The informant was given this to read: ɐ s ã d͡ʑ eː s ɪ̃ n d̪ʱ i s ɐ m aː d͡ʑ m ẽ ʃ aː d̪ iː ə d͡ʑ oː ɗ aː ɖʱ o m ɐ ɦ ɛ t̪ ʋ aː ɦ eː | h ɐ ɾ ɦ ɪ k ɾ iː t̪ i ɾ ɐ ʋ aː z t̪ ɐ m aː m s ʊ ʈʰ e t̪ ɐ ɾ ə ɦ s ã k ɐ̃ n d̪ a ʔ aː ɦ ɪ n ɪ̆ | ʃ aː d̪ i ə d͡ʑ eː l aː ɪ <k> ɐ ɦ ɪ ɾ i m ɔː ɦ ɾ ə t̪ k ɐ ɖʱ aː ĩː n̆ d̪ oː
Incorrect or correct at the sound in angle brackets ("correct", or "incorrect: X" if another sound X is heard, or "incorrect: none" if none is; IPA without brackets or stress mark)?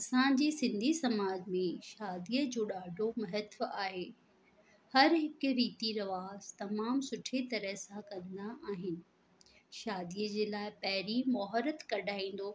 incorrect: p